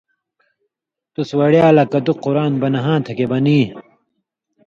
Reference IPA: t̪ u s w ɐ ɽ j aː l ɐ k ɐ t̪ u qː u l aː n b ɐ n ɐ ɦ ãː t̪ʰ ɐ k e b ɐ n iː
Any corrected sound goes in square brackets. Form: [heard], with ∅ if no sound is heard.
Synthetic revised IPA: t̪ u s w ɐ ɽ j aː l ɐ k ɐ [d̪] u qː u [ɾ] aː n b ɐ n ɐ ɦ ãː t̪ʰ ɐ k e b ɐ n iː